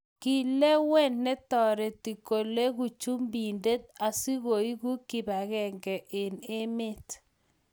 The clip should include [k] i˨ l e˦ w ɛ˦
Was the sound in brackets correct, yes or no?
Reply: yes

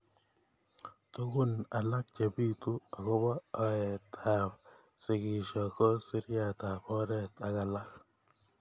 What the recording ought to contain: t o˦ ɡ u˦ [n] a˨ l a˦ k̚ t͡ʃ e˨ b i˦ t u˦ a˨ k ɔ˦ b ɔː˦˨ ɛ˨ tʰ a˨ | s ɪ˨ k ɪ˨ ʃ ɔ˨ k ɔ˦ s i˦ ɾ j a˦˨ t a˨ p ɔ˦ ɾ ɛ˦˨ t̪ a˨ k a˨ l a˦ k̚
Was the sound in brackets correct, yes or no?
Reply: yes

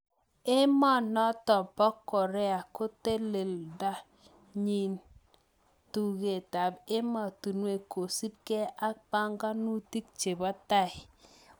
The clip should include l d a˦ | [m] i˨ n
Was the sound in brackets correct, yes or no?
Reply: no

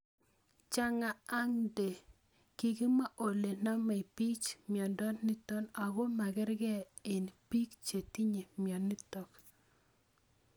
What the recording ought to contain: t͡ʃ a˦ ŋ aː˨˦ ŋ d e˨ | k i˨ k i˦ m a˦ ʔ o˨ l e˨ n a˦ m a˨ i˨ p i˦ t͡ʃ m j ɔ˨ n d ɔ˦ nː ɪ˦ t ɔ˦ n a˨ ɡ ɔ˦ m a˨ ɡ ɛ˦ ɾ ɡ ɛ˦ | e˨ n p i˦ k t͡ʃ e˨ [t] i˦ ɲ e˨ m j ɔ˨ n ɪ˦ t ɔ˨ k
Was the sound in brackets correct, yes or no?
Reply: yes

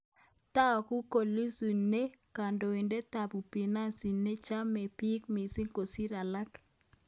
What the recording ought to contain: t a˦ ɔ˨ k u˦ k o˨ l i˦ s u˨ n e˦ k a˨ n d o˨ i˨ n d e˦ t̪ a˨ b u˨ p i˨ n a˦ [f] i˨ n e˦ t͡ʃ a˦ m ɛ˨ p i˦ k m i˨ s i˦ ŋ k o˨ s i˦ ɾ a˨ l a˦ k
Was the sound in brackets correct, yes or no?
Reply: no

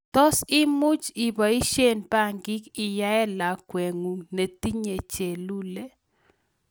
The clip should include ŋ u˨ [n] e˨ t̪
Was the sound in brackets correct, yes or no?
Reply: yes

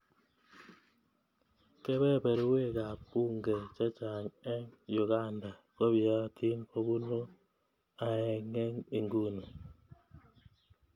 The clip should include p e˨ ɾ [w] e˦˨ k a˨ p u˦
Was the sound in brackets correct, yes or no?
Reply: yes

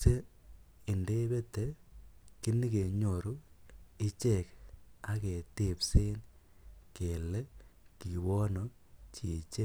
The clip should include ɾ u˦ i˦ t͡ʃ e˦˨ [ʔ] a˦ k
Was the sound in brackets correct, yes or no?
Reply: no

